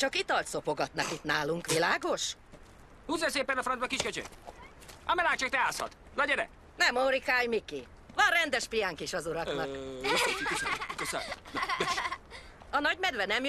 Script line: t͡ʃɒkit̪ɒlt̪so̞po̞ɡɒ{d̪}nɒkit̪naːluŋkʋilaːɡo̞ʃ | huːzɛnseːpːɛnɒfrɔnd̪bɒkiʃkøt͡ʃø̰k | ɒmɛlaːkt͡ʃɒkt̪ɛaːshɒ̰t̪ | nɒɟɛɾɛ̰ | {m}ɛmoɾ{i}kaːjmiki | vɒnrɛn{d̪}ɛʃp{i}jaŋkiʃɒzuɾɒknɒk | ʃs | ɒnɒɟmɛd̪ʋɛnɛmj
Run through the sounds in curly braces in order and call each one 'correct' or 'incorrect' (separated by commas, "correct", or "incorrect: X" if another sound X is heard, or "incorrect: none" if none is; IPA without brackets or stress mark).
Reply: incorrect: t̪, incorrect: n, correct, correct, correct